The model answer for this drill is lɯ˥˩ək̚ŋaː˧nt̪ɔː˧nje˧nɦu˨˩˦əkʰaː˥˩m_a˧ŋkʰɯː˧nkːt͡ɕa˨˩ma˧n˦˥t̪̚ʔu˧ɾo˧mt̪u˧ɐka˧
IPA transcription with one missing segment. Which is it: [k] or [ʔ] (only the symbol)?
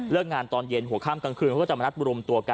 k